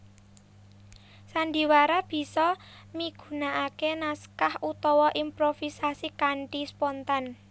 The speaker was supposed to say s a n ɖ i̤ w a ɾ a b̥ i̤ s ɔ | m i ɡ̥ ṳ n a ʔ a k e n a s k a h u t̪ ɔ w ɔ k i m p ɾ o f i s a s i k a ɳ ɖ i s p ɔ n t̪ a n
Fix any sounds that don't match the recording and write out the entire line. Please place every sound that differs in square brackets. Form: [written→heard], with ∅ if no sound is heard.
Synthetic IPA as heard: s a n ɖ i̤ w a ɾ a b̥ i̤ s ɔ | m i ɡ̥ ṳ n a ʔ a k e n a s k a h u t̪ ɔ w ɔ [k→ʔ] i m p ɾ o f i s a s i k a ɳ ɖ i s p ɔ n t̪ a n